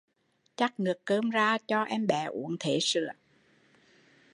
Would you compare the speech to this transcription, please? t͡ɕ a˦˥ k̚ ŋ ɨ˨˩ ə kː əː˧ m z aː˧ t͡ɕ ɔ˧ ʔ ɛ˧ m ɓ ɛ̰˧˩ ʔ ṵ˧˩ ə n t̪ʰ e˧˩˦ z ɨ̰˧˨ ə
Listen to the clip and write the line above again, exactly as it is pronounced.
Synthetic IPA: t͡ɕ a˦˥ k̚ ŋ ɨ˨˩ ə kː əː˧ m z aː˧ t͡ɕ ɔ˧ ʔ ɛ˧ m ɓ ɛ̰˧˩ ʔ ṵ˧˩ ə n t̪ʰ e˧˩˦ s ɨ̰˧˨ ə